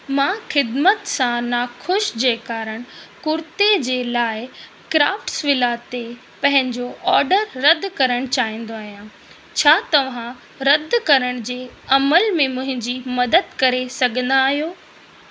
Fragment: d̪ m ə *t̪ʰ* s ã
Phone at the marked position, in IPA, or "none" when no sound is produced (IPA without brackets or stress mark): t̪